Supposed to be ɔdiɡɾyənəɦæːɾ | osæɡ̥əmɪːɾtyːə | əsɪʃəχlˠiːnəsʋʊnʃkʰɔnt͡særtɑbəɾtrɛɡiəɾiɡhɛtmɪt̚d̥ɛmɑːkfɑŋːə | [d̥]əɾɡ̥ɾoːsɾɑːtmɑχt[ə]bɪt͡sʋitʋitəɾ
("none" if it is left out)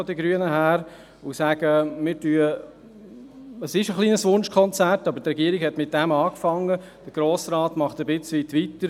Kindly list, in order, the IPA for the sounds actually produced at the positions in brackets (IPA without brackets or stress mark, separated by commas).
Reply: d̥, ə